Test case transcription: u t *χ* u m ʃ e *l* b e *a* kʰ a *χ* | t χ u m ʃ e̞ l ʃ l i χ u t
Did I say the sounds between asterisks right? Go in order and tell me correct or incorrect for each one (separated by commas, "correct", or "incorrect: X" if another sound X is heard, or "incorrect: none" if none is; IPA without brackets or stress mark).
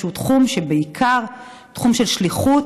correct, incorrect: none, incorrect: i, incorrect: ʁ